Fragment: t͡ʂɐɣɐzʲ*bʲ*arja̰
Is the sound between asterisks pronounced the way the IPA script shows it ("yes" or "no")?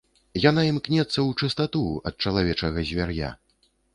no